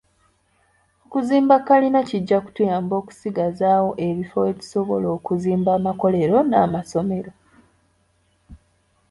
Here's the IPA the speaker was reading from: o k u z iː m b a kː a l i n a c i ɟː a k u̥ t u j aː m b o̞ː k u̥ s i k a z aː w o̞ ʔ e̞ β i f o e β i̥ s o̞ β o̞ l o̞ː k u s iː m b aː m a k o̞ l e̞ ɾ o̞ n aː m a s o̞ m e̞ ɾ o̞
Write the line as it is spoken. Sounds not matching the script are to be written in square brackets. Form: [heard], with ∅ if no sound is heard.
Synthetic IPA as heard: o k u z iː m b a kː a l i n a c i ɟː a k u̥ t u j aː m b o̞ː k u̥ s i [ɡ] a z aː w o̞ ʔ e̞ β i f o e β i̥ s o̞ β o̞ l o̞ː k u [z] iː m b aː m a k o̞ l e̞ ɾ o̞ n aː m a s o̞ m e̞ ɾ o̞